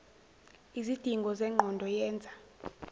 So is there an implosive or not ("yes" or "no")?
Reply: no